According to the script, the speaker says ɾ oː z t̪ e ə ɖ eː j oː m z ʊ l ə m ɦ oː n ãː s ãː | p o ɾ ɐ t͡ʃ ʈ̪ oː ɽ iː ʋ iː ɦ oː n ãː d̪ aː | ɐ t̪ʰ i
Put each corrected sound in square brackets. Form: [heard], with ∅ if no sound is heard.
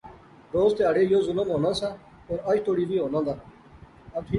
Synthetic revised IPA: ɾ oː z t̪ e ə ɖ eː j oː [∅] z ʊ l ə m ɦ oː n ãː s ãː | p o ɾ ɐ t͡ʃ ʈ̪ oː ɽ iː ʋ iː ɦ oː n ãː d̪ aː | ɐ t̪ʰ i